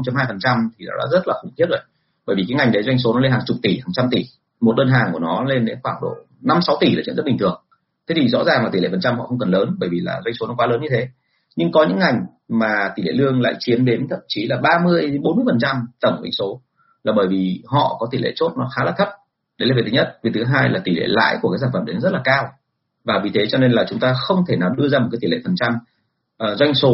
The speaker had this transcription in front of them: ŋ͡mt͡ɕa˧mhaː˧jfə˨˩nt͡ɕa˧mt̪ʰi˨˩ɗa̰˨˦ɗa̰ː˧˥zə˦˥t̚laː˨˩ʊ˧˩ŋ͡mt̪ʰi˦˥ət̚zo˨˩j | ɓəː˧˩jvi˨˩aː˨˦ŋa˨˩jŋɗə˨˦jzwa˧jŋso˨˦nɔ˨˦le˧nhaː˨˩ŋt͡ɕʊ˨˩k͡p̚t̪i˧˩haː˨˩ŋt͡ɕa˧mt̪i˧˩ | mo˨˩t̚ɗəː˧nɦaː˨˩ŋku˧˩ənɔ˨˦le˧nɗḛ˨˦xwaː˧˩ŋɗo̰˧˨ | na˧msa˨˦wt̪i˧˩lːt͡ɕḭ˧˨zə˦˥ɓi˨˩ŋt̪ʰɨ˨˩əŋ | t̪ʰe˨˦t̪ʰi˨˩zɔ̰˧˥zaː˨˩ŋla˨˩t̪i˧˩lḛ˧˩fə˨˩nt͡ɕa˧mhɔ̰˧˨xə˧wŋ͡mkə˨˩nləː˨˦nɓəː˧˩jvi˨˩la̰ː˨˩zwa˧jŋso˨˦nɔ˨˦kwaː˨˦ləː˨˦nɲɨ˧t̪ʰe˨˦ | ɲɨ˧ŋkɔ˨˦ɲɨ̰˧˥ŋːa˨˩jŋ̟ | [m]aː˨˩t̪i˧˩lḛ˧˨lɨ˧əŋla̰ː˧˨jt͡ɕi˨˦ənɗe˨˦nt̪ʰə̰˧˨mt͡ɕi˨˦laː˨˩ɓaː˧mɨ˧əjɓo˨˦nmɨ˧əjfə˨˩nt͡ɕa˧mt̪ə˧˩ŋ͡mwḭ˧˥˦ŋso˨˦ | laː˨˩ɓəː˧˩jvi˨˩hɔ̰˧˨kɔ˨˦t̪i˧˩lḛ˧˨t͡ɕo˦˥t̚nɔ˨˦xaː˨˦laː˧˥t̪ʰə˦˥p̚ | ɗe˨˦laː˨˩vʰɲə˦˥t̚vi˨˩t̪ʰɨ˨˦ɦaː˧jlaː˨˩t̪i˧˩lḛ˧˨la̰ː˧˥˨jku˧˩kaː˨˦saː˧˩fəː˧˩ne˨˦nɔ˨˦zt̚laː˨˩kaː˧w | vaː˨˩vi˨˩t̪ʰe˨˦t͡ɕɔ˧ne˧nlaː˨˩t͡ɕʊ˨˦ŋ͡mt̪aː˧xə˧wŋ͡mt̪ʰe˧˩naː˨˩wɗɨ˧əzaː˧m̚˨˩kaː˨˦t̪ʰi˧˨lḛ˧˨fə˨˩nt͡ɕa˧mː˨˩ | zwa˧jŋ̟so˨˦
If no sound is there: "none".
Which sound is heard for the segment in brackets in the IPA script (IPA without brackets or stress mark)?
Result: m